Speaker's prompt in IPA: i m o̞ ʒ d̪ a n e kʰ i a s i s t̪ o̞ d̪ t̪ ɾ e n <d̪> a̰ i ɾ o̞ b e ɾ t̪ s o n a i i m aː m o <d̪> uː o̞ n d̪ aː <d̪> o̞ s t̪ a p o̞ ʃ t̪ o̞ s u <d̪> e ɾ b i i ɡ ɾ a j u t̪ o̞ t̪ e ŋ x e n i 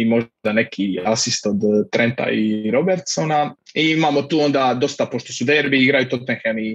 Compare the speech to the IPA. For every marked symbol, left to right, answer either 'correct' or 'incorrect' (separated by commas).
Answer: incorrect, incorrect, correct, correct